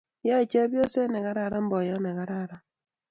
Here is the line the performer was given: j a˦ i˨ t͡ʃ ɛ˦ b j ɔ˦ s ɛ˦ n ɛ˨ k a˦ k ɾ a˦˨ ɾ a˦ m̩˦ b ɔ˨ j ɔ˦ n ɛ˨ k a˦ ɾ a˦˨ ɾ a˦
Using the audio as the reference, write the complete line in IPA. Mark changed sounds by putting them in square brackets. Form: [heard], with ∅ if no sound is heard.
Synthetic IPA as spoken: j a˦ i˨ t͡ʃ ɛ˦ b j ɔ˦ s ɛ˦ n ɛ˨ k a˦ [∅] ɾ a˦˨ ɾ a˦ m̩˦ b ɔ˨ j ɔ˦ n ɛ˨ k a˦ ɾ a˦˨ ɾ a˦